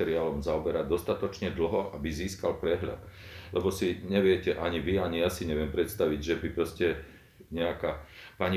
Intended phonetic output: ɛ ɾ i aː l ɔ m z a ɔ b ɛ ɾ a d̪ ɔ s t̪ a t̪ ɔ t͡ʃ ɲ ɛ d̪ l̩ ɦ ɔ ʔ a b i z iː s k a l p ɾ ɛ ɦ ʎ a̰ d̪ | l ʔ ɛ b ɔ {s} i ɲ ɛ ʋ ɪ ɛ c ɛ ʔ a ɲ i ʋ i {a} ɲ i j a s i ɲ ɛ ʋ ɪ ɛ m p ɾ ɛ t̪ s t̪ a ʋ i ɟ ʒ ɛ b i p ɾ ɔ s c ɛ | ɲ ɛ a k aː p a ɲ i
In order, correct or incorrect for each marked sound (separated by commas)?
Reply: correct, correct